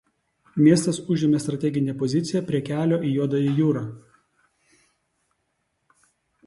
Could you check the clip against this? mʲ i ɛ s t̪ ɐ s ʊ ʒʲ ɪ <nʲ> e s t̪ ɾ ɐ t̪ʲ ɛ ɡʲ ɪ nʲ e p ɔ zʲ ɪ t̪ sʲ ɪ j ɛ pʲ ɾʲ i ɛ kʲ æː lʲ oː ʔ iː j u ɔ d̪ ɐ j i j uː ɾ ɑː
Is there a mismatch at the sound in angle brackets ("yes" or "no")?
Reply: yes